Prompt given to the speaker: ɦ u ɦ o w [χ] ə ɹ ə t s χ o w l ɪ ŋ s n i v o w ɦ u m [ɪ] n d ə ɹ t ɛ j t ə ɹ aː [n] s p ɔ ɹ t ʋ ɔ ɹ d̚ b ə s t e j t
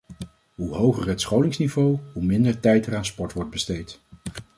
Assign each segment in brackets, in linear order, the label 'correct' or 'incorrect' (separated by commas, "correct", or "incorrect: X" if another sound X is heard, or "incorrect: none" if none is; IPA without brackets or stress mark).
correct, correct, correct